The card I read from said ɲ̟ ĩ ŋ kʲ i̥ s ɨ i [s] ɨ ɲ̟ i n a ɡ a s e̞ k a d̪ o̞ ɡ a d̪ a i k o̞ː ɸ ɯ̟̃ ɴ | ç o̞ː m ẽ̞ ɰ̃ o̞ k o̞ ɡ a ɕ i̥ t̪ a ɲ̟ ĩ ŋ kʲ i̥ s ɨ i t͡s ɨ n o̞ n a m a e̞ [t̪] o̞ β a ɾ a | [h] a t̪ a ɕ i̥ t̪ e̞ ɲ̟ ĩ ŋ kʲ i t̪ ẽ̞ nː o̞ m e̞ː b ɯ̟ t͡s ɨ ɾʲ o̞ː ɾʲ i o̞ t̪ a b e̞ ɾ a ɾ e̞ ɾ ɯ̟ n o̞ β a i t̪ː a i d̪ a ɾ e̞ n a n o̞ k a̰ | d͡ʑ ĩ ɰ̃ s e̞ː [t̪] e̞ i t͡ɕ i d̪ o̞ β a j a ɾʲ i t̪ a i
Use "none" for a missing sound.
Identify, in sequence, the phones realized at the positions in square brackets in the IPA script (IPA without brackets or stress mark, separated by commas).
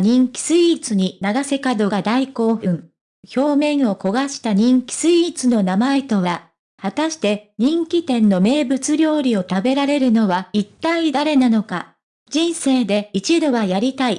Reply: t͡s, t̪, h, d̪